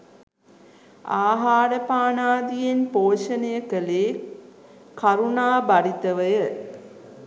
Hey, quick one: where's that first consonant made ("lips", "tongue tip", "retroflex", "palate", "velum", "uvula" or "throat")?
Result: throat